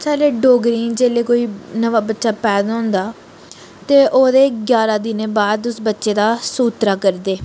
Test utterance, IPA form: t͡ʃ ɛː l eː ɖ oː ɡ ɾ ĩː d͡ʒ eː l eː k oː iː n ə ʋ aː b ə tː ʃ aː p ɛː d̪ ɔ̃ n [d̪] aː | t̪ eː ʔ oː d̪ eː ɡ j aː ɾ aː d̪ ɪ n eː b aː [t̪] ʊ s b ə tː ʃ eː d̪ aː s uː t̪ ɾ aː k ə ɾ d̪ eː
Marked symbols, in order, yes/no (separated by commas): yes, no